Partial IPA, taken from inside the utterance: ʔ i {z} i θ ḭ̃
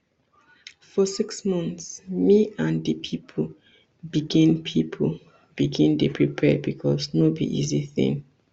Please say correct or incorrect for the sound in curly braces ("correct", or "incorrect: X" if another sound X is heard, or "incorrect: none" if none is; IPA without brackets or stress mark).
correct